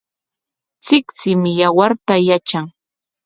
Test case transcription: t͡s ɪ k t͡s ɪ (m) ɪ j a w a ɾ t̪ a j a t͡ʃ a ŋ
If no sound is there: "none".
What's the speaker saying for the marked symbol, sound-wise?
m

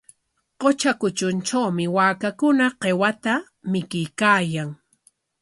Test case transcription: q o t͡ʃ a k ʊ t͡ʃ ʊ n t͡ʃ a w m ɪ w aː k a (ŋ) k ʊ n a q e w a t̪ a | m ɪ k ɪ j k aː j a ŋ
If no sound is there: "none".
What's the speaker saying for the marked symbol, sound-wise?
none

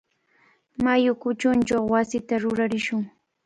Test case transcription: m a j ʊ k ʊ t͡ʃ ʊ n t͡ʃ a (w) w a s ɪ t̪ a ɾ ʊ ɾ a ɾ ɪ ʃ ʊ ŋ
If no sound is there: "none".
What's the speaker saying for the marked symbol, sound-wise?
w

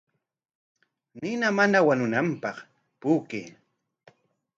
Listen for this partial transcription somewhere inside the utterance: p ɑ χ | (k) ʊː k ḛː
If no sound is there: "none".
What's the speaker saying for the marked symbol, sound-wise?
p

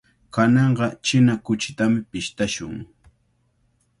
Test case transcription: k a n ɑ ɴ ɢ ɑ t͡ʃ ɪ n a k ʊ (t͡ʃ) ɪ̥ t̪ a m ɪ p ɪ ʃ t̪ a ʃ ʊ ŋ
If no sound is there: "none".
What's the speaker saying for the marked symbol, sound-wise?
t͡ʃ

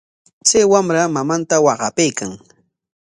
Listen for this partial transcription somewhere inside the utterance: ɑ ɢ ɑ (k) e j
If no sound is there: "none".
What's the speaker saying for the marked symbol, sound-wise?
p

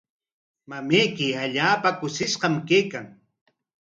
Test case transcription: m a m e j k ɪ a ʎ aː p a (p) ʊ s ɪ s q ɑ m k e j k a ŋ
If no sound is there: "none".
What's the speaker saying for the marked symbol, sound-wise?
k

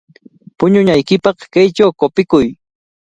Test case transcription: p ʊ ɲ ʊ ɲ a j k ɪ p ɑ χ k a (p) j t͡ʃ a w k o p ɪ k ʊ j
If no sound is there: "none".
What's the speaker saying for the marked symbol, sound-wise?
none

